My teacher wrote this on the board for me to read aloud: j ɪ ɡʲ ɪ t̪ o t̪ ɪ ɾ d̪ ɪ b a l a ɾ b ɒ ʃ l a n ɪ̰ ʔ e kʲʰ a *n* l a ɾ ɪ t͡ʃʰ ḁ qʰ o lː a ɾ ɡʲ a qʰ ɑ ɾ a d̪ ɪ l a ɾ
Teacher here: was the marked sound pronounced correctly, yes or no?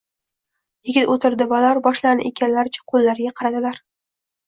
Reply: yes